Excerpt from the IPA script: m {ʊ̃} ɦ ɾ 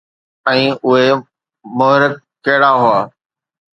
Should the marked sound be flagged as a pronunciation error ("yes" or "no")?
yes